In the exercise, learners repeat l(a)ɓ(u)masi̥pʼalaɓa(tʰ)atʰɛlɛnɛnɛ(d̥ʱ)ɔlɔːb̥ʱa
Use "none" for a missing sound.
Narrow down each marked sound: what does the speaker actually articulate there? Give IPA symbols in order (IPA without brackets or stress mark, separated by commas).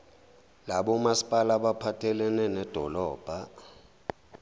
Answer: a, ɔ, pʰ, d̥ʱ